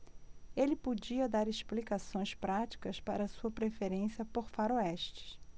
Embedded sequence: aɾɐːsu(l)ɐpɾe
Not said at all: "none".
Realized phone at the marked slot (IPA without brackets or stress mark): none